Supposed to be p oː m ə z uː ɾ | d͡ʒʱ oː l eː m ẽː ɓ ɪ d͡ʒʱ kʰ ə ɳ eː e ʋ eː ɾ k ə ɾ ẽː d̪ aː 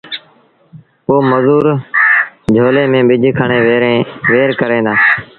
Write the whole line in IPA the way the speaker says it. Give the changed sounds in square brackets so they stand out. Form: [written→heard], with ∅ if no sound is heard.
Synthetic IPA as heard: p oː m ə z uː ɾ | d͡ʒʱ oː l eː m ẽː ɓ ɪ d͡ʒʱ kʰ ə ɳ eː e ʋ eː ɾ k ə ɾ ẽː d̪ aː